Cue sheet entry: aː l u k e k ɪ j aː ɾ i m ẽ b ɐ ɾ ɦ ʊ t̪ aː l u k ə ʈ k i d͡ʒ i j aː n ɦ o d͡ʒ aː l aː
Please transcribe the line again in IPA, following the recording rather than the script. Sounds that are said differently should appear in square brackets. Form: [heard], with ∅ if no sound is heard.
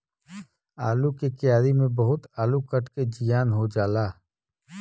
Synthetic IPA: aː l u k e k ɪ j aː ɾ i m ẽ b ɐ [∅] ɦ ʊ t̪ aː l u k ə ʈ k [e] d͡ʒ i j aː n ɦ o d͡ʒ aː l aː

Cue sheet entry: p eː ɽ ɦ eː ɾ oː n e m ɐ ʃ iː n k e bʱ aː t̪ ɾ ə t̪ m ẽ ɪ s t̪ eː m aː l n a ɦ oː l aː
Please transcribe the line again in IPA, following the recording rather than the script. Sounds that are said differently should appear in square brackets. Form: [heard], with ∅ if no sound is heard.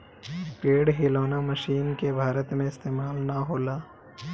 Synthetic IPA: p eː ɽ ɦ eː [l] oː n [a] m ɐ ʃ iː n k e bʱ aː [∅] ɾ ə t̪ m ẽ ɪ s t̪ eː m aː l n a ɦ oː l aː

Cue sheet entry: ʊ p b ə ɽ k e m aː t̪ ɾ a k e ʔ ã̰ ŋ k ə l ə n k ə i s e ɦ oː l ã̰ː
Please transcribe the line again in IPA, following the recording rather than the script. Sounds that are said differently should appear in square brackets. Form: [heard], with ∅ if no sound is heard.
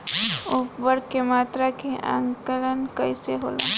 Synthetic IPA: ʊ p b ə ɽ k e m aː t̪ ɾ a k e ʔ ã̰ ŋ k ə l ə n k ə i s e ɦ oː l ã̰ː

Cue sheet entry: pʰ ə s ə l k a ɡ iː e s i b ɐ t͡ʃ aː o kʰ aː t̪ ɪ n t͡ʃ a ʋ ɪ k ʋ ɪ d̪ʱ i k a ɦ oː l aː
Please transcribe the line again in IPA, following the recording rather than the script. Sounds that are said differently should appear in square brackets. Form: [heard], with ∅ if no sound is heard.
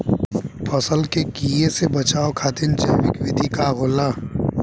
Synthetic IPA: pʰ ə s ə l k [e] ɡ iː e s [e] b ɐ t͡ʃ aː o kʰ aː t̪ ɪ n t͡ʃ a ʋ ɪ k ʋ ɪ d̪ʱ i k a ɦ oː l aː

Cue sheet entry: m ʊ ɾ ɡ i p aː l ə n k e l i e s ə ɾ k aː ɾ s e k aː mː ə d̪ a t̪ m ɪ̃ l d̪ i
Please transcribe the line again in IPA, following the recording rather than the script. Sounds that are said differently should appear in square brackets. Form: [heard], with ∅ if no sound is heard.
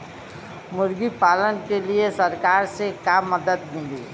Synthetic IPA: m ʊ ɾ ɡ i p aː l ə n k e l i e s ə ɾ k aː ɾ s e k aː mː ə d̪ [ə] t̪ m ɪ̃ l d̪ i

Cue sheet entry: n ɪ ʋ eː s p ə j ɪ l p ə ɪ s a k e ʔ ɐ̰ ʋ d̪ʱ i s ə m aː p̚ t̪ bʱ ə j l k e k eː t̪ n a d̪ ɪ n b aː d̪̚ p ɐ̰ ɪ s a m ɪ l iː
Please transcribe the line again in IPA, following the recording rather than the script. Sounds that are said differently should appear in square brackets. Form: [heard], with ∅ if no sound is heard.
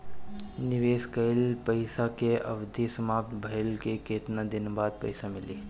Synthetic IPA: n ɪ ʋ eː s [k] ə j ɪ l p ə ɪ s a k e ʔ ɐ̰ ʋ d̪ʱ i s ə m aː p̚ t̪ bʱ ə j l k e k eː t̪ n a d̪ ɪ n b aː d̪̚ p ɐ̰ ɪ s a m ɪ l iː

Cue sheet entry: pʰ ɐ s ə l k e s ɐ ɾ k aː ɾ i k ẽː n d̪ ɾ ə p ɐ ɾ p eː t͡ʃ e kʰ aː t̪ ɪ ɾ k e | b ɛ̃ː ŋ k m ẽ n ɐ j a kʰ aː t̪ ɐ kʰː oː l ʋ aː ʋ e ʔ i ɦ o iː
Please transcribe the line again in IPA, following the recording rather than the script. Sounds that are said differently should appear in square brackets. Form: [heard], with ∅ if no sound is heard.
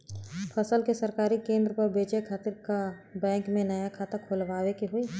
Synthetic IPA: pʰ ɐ s ə l k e s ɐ ɾ k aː ɾ i k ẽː n d̪ ɾ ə p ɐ ɾ [b] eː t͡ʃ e kʰ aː t̪ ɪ ɾ k [a] | b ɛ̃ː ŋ k m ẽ n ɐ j a kʰ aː t̪ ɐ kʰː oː l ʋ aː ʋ e [k] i ɦ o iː

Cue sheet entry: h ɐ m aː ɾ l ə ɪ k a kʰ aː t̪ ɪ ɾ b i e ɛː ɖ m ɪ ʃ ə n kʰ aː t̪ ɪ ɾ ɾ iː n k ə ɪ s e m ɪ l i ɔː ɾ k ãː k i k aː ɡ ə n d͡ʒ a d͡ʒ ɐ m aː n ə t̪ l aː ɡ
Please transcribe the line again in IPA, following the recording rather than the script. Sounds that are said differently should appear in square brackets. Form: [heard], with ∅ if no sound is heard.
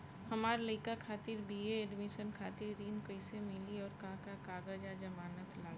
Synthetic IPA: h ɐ m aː ɾ l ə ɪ k a kʰ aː t̪ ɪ ɾ b i e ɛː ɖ m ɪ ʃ ə n kʰ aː t̪ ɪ ɾ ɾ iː n k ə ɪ s e m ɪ l i ɔː ɾ k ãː k [a] k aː ɡ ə [∅] d͡ʒ a d͡ʒ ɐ m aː n ə t̪ l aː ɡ

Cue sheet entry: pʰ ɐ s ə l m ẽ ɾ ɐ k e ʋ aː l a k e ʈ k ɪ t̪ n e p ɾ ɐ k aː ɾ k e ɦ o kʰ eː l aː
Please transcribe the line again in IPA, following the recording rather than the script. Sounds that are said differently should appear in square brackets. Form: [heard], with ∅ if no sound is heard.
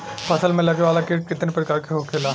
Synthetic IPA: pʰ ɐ s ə l m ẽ [l] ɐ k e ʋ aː l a k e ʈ k ɪ t̪ n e p ɾ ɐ k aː ɾ k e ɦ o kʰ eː l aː

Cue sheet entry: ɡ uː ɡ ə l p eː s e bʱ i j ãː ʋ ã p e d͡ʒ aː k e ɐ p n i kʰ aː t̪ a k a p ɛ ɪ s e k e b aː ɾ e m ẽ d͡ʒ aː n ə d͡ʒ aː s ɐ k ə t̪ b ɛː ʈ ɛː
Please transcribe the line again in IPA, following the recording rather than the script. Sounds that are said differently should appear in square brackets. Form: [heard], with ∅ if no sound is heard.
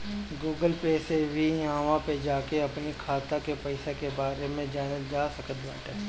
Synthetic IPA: ɡ uː ɡ ə l p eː s e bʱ i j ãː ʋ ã p e d͡ʒ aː k e ɐ p n i kʰ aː t̪ a k [e] p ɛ ɪ s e k e b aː ɾ e m ẽ d͡ʒ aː n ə d͡ʒ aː s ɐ k ə t̪ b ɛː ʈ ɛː

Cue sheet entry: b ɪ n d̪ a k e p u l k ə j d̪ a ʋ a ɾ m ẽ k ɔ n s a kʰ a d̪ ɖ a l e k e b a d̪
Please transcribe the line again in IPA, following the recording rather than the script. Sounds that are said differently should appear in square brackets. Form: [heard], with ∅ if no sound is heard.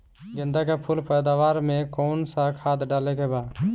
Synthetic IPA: [ɡ] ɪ n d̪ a k e [pʰ] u l [p] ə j d̪ a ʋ a ɾ m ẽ k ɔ n s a kʰ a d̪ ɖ a l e k e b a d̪

